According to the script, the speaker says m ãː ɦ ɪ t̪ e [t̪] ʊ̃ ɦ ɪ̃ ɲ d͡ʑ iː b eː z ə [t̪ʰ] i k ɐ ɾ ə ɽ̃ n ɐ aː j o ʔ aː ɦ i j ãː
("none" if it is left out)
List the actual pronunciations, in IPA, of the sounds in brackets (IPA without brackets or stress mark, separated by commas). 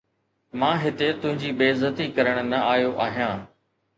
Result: t̪, t̪